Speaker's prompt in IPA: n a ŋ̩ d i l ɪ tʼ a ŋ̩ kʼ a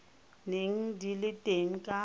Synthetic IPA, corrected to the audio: n e ŋ̩ d i l ɪ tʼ e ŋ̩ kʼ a

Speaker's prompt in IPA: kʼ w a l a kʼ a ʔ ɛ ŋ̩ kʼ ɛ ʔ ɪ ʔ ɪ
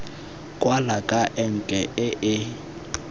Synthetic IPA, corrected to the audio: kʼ w a l a kʼ a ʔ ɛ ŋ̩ kʼ ɛ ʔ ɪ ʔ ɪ

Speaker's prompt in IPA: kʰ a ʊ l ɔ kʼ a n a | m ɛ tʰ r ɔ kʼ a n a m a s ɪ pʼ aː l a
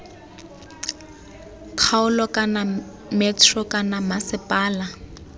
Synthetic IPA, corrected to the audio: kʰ a ʊ l ɔ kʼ a n a | m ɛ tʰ r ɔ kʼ a n a m a s ɪ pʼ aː l a

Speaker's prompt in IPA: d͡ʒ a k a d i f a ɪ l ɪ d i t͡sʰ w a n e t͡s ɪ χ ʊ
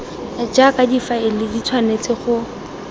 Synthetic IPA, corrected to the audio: d͡ʒ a k a d i f a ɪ l ɪ d i t͡sʰ w a n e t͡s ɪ χ ʊ

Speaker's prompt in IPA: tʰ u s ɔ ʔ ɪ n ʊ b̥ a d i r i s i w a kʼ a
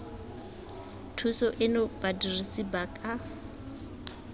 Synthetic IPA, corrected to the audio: tʰ u s ɔ ʔ ɪ n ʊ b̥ a d i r i s i b a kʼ a

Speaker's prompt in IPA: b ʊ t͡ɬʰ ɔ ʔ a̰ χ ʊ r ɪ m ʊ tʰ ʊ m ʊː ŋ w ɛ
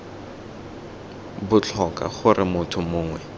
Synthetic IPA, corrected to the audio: b ʊ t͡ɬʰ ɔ k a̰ χ ʊ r ɪ m ʊ tʰ ʊ m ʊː ŋ w ɛ

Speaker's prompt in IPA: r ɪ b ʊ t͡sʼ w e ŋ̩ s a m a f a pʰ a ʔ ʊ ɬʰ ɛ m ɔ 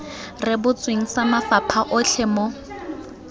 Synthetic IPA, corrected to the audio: r ɪ b ʊ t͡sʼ w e ŋ̩ s a m a f a pʰ a ʔ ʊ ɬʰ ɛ m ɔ

